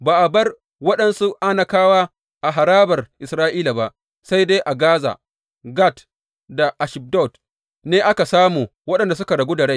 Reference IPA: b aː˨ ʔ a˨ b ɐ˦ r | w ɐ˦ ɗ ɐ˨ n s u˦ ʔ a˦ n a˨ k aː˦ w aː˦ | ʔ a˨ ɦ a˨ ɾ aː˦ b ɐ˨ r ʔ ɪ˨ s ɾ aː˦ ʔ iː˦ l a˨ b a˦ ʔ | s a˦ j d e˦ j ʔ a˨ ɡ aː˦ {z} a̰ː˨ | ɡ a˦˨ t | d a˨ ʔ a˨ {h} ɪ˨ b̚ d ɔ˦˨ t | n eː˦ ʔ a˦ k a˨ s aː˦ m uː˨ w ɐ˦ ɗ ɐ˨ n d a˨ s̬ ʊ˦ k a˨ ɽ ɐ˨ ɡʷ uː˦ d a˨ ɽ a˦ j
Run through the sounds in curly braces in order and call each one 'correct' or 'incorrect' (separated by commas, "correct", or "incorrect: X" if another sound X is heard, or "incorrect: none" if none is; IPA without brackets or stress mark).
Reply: correct, incorrect: ʃ